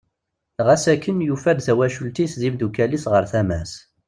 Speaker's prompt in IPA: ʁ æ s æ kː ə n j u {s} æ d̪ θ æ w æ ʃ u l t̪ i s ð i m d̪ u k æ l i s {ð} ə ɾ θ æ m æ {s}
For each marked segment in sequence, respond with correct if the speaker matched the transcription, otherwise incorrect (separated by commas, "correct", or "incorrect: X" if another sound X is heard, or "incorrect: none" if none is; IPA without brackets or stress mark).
incorrect: f, incorrect: ʁ, correct